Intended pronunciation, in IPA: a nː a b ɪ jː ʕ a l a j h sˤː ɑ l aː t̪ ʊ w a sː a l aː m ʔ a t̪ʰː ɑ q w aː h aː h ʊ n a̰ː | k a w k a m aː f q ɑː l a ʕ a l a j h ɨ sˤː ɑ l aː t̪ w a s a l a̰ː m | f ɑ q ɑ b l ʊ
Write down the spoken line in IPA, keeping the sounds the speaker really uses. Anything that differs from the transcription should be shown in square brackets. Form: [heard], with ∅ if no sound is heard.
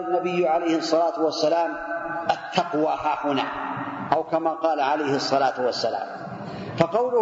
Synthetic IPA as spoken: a nː a b ɪ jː ʕ a l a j h sˤː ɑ l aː t̪ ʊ w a sː a l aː m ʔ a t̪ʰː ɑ q w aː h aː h ʊ n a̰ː | [ʔ] a w k a m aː [∅] q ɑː l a ʕ a l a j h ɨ sˤː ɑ l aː t̪ w a [sː] a l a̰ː m | f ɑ q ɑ [w] l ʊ